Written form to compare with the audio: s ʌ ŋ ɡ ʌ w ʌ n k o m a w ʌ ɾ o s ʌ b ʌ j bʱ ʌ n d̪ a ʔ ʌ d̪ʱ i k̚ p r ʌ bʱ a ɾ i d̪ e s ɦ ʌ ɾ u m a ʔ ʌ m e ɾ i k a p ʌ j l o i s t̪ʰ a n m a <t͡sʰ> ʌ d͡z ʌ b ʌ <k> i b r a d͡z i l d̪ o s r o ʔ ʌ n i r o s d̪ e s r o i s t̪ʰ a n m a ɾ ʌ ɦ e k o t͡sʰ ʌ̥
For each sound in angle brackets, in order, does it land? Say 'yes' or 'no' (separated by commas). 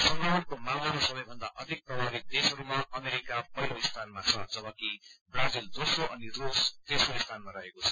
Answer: yes, yes